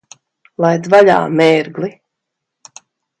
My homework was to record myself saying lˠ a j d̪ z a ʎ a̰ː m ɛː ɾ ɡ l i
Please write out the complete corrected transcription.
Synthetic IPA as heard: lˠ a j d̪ v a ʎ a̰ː m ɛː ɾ ɡ l i